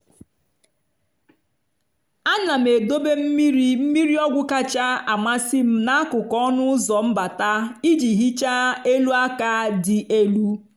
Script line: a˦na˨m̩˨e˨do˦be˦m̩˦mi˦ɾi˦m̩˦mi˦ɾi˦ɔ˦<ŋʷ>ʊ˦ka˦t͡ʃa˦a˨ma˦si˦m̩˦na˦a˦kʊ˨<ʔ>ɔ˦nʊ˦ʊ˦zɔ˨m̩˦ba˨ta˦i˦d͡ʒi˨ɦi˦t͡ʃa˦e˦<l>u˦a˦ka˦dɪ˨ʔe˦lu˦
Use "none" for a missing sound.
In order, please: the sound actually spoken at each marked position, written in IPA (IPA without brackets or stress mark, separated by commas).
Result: ɡʷ, k, l